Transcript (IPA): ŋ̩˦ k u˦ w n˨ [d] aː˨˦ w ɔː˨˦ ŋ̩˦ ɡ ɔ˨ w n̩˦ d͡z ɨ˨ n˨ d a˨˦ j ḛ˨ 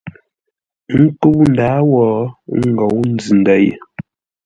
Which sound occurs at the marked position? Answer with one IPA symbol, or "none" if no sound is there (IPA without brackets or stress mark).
d